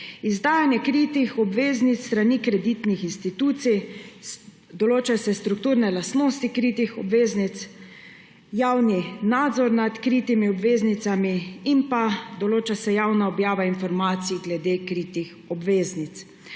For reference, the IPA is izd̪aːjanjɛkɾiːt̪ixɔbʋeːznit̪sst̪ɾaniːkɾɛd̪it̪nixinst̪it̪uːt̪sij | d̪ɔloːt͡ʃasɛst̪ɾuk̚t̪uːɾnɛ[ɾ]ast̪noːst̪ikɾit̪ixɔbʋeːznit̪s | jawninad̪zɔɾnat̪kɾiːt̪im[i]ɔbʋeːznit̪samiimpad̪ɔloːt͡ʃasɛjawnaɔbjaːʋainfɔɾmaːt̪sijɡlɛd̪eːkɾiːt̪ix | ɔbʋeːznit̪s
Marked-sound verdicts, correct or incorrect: incorrect, correct

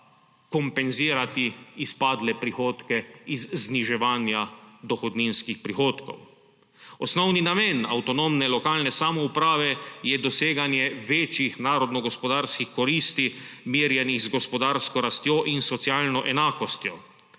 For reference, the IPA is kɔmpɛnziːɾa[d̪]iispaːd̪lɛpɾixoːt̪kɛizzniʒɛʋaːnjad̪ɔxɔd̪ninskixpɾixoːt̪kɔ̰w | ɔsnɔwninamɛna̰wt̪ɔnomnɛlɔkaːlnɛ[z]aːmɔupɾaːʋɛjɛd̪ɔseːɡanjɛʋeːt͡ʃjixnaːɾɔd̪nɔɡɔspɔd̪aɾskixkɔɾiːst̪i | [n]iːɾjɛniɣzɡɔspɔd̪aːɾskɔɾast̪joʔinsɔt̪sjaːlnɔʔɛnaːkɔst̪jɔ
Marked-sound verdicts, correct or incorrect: incorrect, incorrect, incorrect

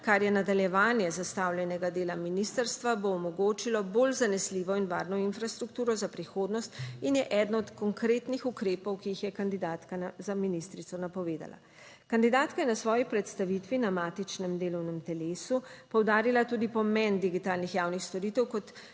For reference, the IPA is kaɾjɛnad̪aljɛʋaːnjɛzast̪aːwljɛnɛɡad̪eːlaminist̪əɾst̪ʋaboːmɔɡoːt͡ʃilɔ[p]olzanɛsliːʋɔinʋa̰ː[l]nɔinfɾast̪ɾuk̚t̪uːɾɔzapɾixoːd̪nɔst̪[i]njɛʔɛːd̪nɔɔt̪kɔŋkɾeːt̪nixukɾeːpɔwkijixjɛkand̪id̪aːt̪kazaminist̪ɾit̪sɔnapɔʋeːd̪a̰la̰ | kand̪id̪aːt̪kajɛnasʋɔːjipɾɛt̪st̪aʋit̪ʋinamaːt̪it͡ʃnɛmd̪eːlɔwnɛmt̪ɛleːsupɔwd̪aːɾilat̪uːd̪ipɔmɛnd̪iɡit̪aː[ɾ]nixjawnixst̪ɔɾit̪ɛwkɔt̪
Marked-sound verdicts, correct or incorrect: incorrect, incorrect, correct, incorrect

